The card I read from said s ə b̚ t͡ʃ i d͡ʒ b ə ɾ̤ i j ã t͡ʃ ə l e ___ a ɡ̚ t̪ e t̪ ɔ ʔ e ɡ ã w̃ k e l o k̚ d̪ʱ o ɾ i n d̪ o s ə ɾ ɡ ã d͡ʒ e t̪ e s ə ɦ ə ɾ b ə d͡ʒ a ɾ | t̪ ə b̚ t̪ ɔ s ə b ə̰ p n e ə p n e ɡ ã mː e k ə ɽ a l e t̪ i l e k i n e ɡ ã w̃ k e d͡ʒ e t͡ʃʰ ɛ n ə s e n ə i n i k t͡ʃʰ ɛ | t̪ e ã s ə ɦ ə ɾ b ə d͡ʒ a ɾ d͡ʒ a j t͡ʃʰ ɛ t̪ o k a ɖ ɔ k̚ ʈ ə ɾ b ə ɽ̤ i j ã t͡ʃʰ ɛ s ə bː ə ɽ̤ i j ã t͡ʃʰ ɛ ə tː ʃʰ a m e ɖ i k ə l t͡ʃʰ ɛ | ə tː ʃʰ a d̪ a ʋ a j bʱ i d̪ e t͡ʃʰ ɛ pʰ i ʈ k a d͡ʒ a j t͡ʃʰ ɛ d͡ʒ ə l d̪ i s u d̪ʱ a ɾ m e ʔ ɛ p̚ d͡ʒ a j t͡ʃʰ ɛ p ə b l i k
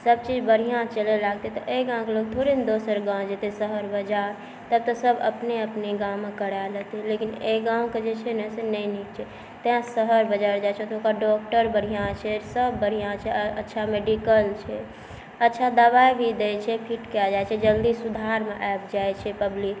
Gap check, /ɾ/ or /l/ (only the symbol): l